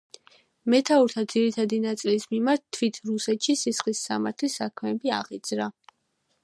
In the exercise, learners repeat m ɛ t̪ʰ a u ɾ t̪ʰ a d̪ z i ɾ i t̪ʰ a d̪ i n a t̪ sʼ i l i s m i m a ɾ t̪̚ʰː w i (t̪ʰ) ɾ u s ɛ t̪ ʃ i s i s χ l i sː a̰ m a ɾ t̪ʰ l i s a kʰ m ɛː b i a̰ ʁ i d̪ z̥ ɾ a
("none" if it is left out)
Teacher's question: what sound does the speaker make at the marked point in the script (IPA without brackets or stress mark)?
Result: t̪ʰ